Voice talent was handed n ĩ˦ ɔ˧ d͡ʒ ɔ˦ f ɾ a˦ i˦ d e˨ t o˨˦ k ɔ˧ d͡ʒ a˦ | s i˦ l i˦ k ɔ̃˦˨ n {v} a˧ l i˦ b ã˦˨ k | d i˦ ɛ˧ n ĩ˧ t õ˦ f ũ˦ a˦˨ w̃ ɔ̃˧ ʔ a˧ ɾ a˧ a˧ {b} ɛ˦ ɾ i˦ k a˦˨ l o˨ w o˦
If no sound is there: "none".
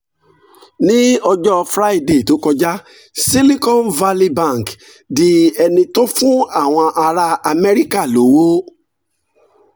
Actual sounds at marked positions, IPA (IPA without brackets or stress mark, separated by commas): v, m